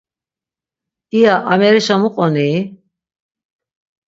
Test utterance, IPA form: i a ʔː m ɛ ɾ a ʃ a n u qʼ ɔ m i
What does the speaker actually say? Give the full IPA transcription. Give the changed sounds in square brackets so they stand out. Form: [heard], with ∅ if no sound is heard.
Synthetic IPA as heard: i a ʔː m ɛ ɾ [i] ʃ a [m] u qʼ ɔ [n] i